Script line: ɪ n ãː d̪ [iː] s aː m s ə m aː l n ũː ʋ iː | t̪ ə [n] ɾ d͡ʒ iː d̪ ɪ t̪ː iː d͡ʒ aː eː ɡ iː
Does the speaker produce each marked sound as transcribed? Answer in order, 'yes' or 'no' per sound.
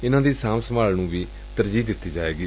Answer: yes, no

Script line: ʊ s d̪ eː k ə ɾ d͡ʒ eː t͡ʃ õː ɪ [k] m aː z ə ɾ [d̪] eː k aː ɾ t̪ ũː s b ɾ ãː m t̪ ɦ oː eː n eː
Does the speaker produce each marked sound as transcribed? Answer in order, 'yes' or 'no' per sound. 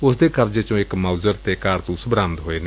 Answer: yes, no

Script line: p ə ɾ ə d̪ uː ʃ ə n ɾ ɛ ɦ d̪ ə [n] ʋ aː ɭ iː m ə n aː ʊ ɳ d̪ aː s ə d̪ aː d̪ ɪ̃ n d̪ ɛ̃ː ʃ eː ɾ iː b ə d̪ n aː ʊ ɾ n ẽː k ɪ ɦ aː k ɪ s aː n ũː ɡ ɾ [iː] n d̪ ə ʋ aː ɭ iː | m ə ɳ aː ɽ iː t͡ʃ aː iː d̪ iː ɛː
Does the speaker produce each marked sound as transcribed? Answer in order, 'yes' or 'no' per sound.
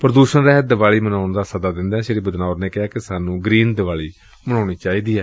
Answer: no, yes

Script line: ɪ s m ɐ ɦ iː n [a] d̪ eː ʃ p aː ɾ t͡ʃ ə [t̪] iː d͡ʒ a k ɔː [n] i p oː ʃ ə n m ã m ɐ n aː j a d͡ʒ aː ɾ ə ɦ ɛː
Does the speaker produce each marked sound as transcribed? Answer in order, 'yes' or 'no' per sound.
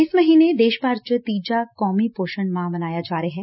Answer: no, yes, no

